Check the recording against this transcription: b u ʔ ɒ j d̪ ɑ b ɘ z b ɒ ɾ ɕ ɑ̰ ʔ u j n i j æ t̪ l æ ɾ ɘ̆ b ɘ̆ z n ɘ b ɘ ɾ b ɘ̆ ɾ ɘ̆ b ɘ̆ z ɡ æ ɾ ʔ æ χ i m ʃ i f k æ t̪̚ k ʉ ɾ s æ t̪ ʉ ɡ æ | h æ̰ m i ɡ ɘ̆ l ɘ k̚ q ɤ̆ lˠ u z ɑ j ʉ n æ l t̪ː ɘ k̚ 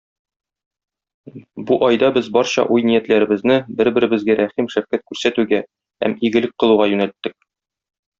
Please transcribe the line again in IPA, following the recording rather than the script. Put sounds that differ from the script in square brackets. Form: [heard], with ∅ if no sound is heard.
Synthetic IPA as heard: b u ʔ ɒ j d̪ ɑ b ɘ z b ɒ ɾ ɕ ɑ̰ ʔ u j n i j æ t̪ l æ ɾ ɘ̆ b ɘ̆ z n ɘ b ɘ ɾ b ɘ̆ ɾ ɘ̆ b ɘ̆ z ɡ æ ɾ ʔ æ χ i m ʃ [æ] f k æ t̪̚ k ʉ ɾ s æ t̪ ʉ ɡ æ | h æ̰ m i ɡ ɘ̆ l ɘ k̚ q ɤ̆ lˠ u [ʁ] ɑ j ʉ n æ l t̪ː ɘ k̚

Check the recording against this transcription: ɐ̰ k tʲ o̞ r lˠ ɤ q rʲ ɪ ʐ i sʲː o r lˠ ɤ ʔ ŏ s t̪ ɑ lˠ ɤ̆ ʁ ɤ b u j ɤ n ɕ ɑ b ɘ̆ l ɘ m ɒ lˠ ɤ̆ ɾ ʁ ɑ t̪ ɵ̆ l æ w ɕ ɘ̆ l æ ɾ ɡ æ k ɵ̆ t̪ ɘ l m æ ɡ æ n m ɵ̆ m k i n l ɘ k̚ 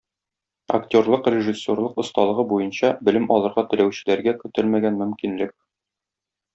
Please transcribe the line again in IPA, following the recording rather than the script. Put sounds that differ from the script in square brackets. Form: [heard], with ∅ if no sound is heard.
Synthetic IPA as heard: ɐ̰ k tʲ o̞ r lˠ ɤ q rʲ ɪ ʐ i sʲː o r lˠ ɤ [q] ŏ s t̪ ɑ lˠ ɤ̆ ʁ ɤ b u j ɤ n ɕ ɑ b ɘ̆ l ɘ m ɒ lˠ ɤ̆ ɾ ʁ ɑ t̪ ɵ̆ l æ w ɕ ɘ̆ l æ ɾ ɡ æ k ɵ̆ t̪ ɘ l m æ ɡ æ n m ɵ̆ m k i n l ɘ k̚

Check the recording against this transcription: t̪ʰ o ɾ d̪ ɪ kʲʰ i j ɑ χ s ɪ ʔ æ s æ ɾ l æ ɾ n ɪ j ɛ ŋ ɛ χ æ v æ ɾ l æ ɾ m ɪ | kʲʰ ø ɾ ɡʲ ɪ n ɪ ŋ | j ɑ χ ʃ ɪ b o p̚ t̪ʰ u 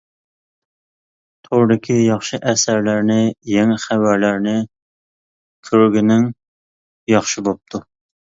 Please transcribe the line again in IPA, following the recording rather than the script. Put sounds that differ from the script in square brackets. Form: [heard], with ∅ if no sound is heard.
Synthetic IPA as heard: t̪ʰ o ɾ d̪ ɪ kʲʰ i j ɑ χ [ʃ] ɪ ʔ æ s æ ɾ l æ ɾ n ɪ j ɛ ŋ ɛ χ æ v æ ɾ l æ ɾ [n] ɪ | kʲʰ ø ɾ ɡʲ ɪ n ɪ ŋ | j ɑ χ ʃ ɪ b o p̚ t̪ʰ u

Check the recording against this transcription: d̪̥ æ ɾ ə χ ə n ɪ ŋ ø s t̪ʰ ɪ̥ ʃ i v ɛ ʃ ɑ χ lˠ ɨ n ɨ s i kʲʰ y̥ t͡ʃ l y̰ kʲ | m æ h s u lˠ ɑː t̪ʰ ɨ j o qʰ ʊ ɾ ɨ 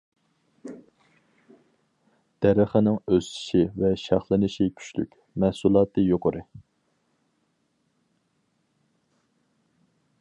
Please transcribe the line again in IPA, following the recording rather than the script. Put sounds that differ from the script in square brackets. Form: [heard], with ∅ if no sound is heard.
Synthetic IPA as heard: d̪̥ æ ɾ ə χ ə n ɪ ŋ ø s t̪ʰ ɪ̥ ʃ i v ɛ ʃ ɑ χ lˠ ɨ n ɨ [ʃ] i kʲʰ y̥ t͡ʃ l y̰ kʲ | m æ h s u lˠ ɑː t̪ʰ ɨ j o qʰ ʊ ɾ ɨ

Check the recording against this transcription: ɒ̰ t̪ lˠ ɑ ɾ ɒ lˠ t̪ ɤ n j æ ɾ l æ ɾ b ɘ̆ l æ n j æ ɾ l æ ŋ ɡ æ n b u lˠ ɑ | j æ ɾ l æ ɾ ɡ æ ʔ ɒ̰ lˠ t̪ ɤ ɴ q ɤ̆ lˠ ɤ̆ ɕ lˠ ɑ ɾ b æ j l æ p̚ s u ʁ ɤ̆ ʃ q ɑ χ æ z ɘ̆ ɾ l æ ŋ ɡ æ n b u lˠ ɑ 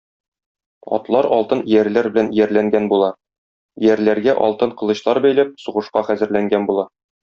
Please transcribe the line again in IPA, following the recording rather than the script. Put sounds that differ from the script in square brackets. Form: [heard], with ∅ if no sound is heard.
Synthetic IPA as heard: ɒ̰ t̪ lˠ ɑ ɾ ɒ lˠ t̪ ɤ n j æ ɾ l æ ɾ b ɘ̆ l æ n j æ ɾ l æ ŋ ɡ æ n b u lˠ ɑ | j æ ɾ l æ ɾ ɡ æ ʔ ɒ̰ lˠ t̪ ɤ ɴ q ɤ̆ lˠ ɤ̆ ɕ lˠ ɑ ɾ b æ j l æ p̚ s u ʁ ɤ̆ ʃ q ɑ χ æ z ɘ̆ ɾ l æ ŋ ɡ æ n b u lˠ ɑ

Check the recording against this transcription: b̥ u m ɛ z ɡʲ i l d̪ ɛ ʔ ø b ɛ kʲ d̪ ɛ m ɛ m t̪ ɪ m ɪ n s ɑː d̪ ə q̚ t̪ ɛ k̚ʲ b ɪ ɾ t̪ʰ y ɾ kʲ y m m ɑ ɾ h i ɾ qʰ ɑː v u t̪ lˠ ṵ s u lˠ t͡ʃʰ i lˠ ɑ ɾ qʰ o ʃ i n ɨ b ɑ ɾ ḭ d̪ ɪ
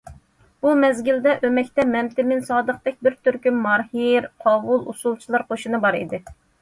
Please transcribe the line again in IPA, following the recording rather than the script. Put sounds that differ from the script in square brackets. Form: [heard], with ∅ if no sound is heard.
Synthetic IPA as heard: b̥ u m ɛ z ɡʲ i l d̪ ɛ ʔ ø [m] ɛ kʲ [t̪] ɛ m ɛ m t̪ ɪ m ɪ n s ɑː d̪ ə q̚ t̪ ɛ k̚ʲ b ɪ ɾ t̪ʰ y ɾ kʲ y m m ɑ ɾ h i ɾ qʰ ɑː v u [∅] lˠ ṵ s u lˠ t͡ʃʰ i lˠ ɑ ɾ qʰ o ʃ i n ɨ b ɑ ɾ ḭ d̪ ɪ

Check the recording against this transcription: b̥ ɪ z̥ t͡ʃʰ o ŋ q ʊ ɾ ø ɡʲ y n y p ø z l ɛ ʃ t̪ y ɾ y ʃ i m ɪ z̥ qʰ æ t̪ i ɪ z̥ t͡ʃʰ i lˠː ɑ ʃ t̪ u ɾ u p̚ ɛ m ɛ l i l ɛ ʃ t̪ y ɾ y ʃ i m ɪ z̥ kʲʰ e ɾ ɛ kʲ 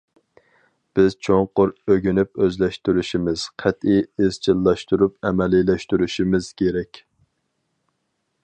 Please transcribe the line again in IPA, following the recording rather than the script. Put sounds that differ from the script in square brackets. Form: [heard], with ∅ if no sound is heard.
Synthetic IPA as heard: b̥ ɪ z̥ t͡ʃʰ o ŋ q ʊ ɾ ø ɡʲ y n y p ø z l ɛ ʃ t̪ y ɾ y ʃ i m ɪ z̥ qʰ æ t̪ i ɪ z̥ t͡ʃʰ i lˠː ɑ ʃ t̪ u ɾ u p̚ ɛ m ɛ l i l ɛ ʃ t̪ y ɾ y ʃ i m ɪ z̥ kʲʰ e ɾ ɛ kʲ

